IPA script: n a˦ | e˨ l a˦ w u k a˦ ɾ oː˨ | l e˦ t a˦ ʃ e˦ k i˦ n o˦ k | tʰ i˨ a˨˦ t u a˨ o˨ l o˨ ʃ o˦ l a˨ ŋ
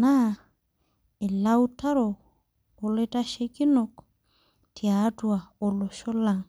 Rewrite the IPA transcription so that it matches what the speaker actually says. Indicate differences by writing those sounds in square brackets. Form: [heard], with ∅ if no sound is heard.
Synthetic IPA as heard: n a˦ | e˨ l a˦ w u [t] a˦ ɾ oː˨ | l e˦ t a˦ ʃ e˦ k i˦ n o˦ k | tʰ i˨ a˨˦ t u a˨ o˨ l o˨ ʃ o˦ l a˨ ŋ